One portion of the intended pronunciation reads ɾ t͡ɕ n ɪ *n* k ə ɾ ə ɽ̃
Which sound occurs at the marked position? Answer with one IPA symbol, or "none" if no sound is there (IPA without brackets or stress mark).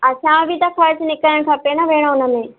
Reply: none